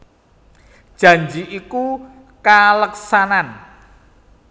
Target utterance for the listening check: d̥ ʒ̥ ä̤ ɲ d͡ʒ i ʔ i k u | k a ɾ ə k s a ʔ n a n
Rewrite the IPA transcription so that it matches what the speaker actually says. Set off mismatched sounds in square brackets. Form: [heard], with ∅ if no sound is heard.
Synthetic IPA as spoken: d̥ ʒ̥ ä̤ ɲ d͡ʒ i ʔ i k u | k a [l] ə k s a [∅] n a n